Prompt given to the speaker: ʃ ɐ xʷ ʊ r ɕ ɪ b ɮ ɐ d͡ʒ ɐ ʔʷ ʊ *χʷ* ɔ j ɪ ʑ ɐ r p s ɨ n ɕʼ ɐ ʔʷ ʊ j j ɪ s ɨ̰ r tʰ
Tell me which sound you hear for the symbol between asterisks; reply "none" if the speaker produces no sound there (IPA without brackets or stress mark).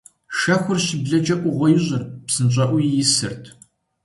ʁʷ